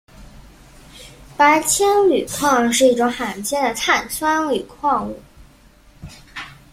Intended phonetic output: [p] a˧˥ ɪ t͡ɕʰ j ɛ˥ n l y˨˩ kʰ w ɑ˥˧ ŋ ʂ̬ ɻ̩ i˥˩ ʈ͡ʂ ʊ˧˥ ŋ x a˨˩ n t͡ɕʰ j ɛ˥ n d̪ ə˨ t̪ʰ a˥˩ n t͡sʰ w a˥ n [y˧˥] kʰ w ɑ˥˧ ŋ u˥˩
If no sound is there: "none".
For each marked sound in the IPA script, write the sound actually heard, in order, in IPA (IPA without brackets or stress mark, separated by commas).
p, y˨˩